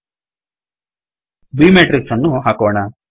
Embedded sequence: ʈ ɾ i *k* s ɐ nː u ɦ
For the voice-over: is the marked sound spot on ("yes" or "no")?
yes